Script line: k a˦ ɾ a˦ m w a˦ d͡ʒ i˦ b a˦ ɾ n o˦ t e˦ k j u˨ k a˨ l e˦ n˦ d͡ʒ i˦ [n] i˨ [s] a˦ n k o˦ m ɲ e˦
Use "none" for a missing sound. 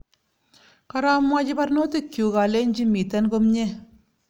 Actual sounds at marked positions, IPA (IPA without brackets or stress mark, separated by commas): m, t